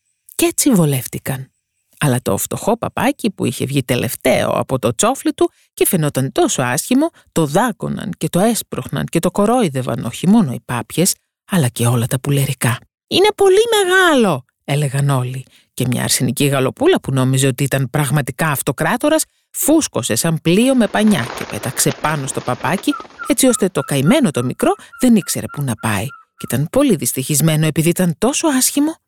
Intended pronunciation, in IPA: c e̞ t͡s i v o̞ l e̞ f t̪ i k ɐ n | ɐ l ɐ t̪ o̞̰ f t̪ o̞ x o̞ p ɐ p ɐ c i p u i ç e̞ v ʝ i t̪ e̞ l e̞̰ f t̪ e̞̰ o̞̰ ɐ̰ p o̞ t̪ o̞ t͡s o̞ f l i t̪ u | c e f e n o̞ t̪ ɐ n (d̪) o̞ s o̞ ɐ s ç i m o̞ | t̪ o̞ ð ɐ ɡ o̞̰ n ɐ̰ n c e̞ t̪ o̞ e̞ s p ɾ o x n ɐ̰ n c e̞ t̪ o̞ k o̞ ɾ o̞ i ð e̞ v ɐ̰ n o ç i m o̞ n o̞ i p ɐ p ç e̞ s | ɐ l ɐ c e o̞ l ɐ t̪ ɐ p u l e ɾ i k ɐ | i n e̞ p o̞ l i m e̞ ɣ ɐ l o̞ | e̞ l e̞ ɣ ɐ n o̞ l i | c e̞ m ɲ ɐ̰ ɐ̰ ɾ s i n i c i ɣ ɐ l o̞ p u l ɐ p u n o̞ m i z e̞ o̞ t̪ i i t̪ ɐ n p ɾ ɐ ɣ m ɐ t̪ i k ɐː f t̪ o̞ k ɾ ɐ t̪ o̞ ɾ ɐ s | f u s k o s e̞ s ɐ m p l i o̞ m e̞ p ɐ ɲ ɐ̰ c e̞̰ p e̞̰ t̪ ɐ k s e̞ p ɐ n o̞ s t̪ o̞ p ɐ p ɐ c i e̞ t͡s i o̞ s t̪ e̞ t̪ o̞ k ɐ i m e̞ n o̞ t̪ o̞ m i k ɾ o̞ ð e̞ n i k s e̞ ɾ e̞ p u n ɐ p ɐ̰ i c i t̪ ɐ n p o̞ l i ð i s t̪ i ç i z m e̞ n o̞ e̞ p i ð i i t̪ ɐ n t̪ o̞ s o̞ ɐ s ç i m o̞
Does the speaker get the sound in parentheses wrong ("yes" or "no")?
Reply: yes